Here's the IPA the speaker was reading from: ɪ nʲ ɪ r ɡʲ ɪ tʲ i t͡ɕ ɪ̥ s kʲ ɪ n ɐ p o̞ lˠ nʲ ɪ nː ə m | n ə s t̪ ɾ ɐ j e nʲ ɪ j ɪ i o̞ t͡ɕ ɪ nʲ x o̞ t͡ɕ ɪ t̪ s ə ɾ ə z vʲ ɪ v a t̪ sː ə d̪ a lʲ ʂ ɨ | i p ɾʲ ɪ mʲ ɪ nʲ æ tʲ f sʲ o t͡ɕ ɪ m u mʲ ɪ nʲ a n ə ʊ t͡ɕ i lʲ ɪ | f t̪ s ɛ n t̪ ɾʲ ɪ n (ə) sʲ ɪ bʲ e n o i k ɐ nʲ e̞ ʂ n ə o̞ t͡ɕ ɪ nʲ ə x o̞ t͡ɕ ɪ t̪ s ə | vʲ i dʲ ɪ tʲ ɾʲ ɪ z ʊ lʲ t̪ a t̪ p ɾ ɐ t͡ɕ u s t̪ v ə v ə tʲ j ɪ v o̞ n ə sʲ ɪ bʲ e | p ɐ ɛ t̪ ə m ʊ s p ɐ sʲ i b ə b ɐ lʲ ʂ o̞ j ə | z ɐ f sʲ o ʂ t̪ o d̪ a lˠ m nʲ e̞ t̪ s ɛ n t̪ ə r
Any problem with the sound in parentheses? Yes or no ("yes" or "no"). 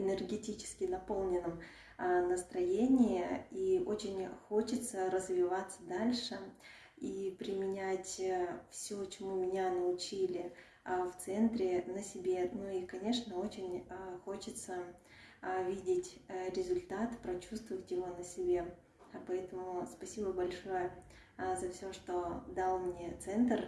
no